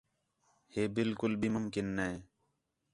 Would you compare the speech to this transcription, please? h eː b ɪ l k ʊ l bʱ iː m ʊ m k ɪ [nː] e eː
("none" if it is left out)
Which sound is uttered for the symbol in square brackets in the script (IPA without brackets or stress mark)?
nː